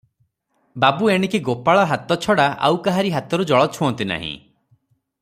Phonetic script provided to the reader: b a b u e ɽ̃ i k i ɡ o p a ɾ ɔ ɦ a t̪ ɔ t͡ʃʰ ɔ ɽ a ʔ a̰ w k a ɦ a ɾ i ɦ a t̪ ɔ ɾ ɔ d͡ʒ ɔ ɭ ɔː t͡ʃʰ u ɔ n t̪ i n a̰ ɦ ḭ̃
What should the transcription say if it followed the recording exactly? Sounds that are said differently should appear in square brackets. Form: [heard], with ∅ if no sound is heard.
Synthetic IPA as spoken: b a b u e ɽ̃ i k i ɡ o p a [ɭ] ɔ ɦ a t̪ ɔ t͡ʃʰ ɔ ɽ a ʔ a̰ w k a ɦ a ɾ i ɦ a t̪ ɔ ɾ [u] d͡ʒ ɔ ɭ [ɔ] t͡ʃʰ u ɔ n t̪ i n a̰ ɦ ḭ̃

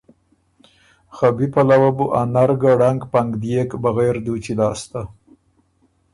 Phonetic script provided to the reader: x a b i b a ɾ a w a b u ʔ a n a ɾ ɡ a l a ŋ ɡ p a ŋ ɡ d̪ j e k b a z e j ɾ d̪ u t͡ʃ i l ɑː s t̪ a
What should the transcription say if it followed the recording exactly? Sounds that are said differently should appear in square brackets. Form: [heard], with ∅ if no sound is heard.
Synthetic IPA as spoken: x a b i [p] a [l] a w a b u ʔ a n a ɾ ɡ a [ɽ] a ŋ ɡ p a ŋ ɡ d̪ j e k b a [ɣ] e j ɾ d̪ u t͡ʃ i l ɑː s t̪ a

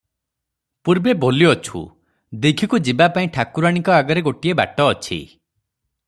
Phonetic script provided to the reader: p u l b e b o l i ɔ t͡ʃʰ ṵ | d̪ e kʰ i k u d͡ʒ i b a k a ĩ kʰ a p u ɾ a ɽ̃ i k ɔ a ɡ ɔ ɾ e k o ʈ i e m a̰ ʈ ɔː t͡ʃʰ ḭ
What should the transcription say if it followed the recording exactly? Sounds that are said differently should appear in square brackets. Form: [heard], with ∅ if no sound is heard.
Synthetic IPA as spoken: p u [ɾ] b e b o l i ɔ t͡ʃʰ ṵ | d̪ e kʰ i k u d͡ʒ i b a [p] a ĩ [ʈʰ] a [k] u ɾ a ɽ̃ i k ɔ a ɡ ɔ ɾ e [ɡ] o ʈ i e [b] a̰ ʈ ɔː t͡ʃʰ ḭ

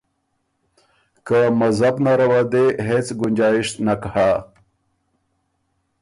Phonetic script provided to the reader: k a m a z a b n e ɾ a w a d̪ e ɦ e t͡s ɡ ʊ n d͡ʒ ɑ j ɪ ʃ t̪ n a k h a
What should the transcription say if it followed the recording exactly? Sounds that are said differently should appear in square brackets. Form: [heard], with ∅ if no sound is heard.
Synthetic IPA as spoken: k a m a z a b n [a] ɾ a w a d̪ e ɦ e t͡s ɡ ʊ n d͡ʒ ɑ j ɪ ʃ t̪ n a k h a

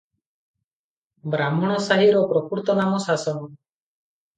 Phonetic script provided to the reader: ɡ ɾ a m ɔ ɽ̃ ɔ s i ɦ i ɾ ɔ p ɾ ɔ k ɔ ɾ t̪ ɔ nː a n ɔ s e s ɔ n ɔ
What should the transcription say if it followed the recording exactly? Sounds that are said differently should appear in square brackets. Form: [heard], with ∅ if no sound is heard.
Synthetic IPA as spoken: [b] ɾ a m ɔ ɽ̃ ɔ s [a] ɦ i ɾ ɔ p ɾ ɔ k [u] ɾ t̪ ɔ [n] a [m] ɔ s [a] s ɔ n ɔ

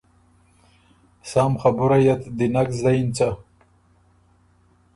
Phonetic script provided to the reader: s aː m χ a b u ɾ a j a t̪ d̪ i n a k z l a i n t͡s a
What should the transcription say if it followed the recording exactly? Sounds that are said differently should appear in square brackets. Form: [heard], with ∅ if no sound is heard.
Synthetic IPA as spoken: s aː m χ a b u ɾ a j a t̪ d̪ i n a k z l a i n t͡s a

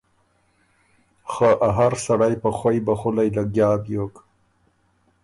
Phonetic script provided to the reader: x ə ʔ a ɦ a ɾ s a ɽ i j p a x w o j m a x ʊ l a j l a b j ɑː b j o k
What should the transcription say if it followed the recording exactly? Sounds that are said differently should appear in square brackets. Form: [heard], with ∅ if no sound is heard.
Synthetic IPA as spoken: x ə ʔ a ɦ a ɾ s a ɽ [a] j p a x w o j [b] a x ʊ l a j l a [ɡ] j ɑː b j o k

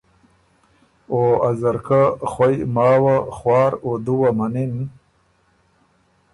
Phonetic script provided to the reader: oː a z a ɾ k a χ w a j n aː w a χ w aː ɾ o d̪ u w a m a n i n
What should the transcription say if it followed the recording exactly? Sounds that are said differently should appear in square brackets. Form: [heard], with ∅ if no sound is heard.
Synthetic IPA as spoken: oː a z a ɾ k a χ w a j [m] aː w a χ w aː ɾ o d̪ u w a m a n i n

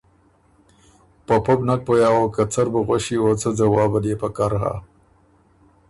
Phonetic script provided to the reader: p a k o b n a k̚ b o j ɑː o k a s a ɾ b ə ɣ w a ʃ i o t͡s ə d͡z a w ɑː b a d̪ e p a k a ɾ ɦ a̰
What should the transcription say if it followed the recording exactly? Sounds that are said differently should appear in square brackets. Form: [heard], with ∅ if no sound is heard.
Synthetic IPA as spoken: p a [p] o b n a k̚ [p] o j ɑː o k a [t͡s] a ɾ b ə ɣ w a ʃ i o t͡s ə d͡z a w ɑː b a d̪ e p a k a ɾ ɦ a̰

